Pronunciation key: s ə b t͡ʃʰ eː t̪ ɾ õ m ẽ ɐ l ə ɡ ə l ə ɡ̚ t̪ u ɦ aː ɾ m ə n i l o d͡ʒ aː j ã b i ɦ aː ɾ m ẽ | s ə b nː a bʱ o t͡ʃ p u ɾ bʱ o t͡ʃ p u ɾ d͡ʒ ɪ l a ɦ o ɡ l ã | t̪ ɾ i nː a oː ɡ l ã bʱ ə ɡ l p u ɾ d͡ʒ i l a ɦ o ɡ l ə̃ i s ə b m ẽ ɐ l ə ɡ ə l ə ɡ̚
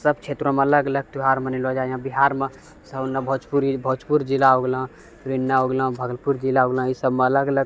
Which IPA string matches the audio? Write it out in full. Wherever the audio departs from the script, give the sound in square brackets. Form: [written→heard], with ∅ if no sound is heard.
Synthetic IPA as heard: s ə b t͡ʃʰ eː t̪ ɾ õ m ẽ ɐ l ə ɡ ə l ə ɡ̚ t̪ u ɦ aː ɾ m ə n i l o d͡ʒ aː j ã b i ɦ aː ɾ m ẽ | s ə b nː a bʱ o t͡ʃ p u ɾ bʱ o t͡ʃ p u ɾ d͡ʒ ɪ l a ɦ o ɡ l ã | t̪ ɾ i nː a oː ɡ l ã bʱ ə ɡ l p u ɾ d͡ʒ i l a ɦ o ɡ l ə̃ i s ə b m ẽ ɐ l ə ɡ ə l ə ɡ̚